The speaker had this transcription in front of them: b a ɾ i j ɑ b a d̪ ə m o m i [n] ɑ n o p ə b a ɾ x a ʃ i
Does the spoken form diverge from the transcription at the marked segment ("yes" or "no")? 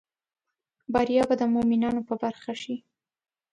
no